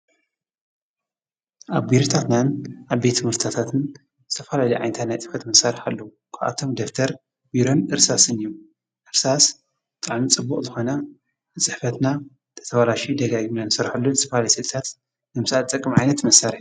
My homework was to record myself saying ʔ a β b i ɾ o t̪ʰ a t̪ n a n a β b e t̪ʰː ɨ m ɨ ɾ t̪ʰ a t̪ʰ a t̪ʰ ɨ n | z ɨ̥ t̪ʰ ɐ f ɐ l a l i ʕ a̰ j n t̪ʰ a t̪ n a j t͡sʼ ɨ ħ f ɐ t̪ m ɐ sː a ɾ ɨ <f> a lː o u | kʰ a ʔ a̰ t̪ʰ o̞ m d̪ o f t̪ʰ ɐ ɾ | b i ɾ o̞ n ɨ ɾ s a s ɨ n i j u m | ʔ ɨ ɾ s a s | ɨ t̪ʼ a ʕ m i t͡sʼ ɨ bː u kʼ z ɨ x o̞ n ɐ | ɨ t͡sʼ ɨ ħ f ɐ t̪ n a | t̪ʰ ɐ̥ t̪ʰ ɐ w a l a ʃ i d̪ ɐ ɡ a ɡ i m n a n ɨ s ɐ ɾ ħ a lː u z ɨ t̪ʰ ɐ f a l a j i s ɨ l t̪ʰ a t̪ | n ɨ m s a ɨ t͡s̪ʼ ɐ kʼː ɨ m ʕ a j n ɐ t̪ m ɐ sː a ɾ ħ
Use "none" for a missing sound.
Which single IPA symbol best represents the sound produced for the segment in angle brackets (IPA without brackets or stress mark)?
ħ